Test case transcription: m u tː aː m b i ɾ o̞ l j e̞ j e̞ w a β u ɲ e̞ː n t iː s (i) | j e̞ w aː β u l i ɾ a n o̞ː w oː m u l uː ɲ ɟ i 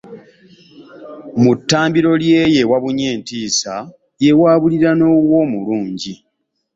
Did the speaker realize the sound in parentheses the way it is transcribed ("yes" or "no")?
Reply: no